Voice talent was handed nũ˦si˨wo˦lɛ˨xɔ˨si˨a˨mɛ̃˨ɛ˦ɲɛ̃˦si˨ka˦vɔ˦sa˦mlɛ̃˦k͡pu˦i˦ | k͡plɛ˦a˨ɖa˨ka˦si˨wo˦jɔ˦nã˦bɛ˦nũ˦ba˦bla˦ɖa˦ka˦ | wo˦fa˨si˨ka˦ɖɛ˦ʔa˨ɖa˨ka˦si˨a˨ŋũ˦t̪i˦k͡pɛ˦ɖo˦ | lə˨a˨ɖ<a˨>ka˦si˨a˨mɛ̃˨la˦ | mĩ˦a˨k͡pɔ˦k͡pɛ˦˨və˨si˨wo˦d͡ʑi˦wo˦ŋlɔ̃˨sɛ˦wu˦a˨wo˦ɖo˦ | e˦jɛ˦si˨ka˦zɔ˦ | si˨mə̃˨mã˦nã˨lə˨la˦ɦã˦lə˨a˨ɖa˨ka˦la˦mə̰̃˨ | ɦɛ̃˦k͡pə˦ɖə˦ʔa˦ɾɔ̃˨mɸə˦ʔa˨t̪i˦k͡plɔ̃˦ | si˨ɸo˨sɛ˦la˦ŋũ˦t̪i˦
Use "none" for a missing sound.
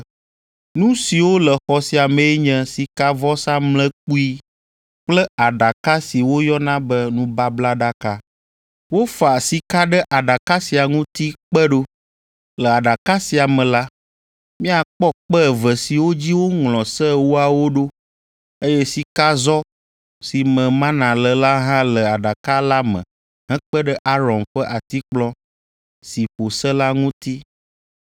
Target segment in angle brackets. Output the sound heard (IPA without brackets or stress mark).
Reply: a˨